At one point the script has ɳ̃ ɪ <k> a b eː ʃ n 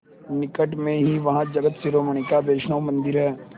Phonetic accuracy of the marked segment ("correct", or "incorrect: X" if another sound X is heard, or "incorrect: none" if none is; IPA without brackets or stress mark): correct